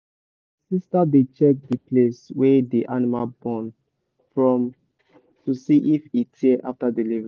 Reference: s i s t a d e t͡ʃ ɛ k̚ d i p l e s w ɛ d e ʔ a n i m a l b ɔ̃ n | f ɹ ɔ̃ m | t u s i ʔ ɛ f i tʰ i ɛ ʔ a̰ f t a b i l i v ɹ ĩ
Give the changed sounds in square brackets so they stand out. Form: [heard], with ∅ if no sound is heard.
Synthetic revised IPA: s i s t a d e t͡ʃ ɛ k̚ d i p l e s w ɛ d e ʔ a n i m a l b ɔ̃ n | f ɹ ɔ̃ m | t u s i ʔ [i] f i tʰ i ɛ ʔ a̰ f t a [d] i l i v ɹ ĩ